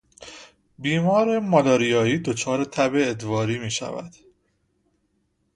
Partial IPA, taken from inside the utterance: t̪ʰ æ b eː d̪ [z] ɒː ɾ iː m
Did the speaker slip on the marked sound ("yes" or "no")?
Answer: yes